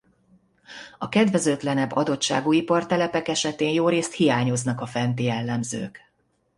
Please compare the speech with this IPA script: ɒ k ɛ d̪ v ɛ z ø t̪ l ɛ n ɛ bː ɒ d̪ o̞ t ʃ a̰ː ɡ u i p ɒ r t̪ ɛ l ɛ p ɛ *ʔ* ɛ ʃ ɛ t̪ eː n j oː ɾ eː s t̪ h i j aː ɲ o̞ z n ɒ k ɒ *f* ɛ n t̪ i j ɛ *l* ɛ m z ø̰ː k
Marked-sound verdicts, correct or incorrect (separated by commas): incorrect, correct, incorrect